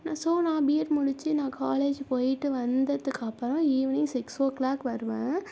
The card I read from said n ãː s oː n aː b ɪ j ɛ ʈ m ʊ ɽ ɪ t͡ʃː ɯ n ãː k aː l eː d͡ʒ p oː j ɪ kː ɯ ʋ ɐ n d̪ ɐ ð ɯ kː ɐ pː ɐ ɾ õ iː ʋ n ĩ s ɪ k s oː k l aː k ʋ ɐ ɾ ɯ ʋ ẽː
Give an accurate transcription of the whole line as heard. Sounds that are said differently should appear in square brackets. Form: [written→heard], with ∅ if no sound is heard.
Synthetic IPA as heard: n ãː s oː n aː b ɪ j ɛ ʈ m ʊ ɽ ɪ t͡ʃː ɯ n ãː k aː l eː d͡ʒ p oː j ɪ [kː→ʈː] ɯ ʋ ɐ n d̪ ɐ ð ɯ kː ɐ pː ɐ ɾ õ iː ʋ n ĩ s ɪ k s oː k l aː k ʋ ɐ ɾ ɯ ʋ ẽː